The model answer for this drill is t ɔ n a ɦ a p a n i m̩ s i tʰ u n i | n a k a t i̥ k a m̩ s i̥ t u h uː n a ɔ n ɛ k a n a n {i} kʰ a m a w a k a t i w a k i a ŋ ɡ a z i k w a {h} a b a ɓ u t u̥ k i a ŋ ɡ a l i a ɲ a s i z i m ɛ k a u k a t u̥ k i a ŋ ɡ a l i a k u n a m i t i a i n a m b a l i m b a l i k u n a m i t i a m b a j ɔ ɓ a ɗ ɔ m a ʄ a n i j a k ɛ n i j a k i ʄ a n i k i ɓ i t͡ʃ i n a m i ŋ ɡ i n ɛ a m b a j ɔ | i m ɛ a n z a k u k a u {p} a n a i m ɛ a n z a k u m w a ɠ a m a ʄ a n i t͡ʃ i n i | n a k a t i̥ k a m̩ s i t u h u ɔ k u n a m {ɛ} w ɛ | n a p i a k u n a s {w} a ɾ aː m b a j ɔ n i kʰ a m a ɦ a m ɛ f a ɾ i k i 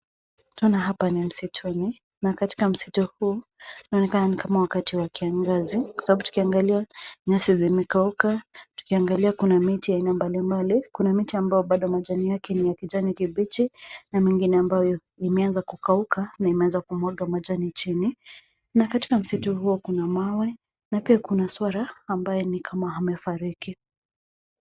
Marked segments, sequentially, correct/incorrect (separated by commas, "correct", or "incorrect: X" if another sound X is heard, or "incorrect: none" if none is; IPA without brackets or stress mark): correct, incorrect: s, incorrect: k, incorrect: a, correct